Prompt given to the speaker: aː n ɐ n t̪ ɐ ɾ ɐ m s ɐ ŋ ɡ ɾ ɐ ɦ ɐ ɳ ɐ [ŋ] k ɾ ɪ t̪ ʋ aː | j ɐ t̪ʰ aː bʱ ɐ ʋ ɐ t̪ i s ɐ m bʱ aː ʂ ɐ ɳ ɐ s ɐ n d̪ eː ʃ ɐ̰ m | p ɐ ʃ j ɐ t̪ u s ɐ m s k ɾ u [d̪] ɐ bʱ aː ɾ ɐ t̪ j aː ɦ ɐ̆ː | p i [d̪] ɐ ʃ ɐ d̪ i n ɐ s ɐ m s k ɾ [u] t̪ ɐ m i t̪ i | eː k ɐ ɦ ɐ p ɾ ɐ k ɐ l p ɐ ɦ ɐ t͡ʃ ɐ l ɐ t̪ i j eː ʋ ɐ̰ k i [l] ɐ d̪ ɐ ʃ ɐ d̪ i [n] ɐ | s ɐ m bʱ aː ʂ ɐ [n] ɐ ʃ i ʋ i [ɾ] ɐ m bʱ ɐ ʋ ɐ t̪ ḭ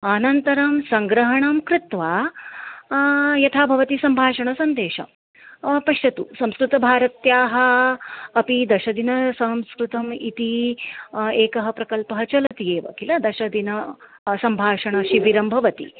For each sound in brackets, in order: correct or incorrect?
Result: incorrect: m, incorrect: t̪, correct, correct, correct, correct, incorrect: ɳ, correct

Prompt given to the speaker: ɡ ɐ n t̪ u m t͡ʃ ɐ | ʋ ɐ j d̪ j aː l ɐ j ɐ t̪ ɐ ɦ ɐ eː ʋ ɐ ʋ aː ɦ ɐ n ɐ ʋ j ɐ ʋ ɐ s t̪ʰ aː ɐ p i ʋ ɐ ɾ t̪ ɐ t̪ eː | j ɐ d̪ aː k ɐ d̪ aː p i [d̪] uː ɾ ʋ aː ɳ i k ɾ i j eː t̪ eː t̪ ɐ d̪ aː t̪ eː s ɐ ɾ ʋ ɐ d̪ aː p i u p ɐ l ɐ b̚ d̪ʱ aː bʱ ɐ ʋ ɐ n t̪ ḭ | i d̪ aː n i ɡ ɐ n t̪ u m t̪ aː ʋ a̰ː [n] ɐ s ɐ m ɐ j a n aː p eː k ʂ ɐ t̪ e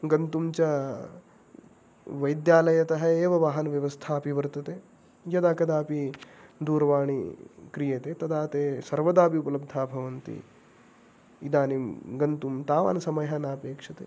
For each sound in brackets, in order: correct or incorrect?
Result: correct, correct

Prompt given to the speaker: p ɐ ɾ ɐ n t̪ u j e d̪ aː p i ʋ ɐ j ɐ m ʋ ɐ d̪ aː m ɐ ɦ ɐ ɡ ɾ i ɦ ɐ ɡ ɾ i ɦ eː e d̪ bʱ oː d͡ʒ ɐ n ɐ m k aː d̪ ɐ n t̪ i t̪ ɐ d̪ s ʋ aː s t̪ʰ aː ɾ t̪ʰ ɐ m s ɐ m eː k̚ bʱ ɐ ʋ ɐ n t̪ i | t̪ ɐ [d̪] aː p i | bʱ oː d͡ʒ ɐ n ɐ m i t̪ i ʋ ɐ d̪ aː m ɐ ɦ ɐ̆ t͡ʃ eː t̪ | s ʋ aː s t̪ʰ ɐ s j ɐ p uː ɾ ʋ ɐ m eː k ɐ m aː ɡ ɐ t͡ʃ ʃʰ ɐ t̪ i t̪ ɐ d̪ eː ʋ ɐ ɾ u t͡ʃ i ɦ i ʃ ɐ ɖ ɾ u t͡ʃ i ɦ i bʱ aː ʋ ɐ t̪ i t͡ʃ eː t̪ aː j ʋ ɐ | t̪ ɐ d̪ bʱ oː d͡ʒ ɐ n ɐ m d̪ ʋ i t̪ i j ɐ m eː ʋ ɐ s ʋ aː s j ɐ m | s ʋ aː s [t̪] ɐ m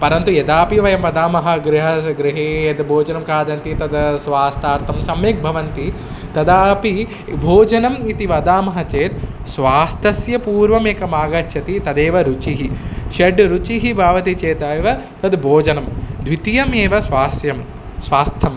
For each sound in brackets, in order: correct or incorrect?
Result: correct, incorrect: t̪ʰ

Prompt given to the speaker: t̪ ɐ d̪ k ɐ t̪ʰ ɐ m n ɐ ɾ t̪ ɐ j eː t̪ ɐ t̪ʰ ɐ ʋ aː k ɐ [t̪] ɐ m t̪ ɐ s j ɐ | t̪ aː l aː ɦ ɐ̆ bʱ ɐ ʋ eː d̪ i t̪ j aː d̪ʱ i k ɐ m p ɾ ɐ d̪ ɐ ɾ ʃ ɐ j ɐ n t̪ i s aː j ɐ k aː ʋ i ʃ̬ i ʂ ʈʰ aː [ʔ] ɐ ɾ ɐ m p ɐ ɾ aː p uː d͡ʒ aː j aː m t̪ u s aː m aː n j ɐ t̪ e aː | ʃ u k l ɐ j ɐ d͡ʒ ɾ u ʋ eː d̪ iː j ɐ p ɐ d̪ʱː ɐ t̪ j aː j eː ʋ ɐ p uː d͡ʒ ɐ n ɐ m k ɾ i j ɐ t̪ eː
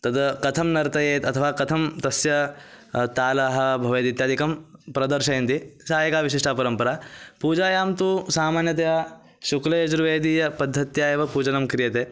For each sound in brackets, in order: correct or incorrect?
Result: incorrect: t̪ʰ, incorrect: p

